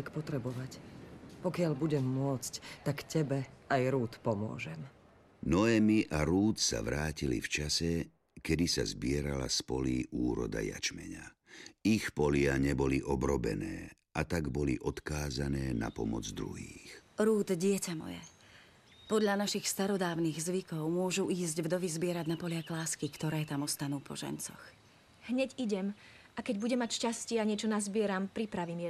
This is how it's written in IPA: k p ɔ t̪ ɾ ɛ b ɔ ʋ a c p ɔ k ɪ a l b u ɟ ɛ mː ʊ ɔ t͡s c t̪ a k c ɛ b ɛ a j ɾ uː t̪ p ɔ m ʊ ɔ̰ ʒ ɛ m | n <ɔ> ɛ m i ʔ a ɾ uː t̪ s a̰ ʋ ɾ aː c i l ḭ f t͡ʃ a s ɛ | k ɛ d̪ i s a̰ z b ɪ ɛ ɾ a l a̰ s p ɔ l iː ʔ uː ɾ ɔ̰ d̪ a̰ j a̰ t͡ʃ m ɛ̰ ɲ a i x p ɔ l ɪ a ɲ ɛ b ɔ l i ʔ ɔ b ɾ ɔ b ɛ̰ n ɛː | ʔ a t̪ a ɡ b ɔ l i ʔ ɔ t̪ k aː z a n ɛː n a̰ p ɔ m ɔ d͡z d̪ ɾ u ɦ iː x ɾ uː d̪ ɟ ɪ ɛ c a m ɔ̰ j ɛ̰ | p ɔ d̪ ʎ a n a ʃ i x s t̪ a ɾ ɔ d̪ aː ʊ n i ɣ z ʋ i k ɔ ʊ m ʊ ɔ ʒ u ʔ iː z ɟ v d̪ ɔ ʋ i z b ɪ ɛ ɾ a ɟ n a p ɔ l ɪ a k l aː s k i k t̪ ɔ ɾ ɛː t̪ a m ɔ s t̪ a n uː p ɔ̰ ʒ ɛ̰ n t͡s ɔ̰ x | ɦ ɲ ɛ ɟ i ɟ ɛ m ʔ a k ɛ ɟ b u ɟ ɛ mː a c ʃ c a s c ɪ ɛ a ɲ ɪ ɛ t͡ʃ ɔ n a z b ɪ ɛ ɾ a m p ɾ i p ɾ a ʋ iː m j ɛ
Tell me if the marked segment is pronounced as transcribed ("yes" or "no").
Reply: yes